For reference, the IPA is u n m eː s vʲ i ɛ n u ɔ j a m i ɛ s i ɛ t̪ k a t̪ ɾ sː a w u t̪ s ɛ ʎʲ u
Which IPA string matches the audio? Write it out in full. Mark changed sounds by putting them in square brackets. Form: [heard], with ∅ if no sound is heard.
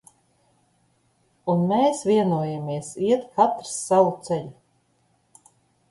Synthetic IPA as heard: u n m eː s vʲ i ɛ n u ɔ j a m i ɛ s i ɛ t̪ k a t̪ ɾ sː a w u t̪ s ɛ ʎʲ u